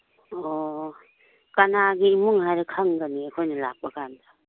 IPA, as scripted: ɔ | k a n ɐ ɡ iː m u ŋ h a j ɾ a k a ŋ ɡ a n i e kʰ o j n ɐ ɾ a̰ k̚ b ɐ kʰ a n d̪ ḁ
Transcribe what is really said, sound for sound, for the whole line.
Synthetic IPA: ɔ | k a n a ɡ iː m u ŋ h a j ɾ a kʰ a ŋ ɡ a n i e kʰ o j n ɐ l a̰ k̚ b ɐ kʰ a n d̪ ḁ

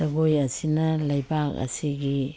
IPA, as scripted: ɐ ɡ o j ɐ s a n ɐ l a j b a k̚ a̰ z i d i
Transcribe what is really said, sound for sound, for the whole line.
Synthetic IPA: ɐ ɡ o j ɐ s i n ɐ l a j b a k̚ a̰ s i ɡ i

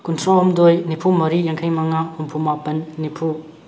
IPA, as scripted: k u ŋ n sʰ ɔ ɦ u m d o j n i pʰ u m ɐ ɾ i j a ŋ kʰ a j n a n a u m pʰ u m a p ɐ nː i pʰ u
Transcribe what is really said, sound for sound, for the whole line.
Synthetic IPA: k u n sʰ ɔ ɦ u m d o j n i pʰ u m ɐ ɾ i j a ŋ kʰ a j m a ŋ a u m pʰ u m a p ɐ nː i pʰ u

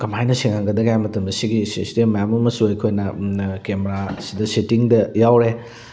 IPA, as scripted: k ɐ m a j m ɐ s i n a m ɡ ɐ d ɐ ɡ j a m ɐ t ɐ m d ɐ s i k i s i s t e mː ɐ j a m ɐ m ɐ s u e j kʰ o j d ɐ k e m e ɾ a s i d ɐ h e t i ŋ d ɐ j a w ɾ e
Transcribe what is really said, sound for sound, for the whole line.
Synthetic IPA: k ɐ m a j n ɐ s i ŋ a ŋ ɡ ɐ d ɐ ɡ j a m ɐ t ɐ m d ɐ s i ɡ i s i s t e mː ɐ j a m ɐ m ɐ s u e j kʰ o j n ɐ k e m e ɾ a s i d ɐ s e t i ŋ d ɐ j a w ɾ e

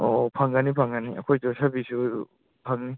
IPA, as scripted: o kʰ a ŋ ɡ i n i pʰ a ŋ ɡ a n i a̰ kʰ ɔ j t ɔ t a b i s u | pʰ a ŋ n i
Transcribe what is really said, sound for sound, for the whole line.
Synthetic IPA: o pʰ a ŋ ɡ a n i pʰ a ŋ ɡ a n i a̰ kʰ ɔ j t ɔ s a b i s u | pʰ a ŋ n i

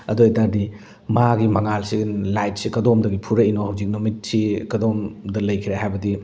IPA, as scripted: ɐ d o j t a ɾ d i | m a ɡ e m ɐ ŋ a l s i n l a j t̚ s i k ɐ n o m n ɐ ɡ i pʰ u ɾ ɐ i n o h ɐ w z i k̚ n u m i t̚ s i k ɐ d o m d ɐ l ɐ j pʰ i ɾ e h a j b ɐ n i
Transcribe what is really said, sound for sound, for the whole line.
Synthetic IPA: ɐ d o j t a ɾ d i | m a ɡ i m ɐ ŋ a l s i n l a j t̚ s i k ɐ d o m d ɐ ɡ i pʰ u ɾ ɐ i n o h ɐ w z i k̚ n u m i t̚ s i k ɐ d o m d ɐ l ɐ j kʰ i ɾ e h a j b ɐ d i

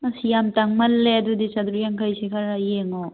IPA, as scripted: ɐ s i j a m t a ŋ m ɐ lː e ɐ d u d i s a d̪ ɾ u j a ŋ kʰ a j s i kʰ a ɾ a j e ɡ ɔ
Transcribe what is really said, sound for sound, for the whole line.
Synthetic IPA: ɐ s i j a m t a ŋ m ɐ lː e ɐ d u d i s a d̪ ɾ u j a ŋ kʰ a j s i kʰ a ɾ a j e ŋ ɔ

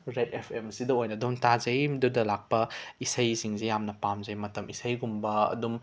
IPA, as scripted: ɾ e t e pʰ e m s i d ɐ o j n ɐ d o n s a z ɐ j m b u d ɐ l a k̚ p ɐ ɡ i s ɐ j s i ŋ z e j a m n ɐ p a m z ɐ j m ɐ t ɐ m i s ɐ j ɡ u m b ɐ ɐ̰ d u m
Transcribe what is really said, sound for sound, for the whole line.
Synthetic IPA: ɾ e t e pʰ e m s i d ɐ o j n ɐ d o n t a z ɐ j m d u d ɐ l a k̚ p ɐ i s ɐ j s i ŋ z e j a m n ɐ p a m z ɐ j m ɐ t ɐ m i s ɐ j ɡ u m b ɐ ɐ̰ d u m

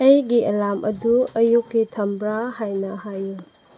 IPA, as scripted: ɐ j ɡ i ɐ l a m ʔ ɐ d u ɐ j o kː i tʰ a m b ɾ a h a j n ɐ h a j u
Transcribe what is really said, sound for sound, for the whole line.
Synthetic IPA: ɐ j ɡ i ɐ l a m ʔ ɐ d u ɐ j u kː i tʰ ɐ m b ɾ a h a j n ɐ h a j u

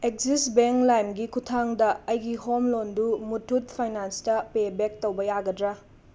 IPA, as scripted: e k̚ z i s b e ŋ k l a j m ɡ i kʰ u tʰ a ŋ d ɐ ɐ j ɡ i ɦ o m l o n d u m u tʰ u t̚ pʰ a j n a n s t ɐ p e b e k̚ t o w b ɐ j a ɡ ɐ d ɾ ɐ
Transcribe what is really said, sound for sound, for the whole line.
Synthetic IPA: e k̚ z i s b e ŋ k l a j m ɡ i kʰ u tʰ a ŋ d ɐ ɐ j ɡ i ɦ o m l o n d u m u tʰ u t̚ pʰ a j n a n s t ɐ p e b e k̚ t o w b ɐ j a ɡ ɐ d ɾ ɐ

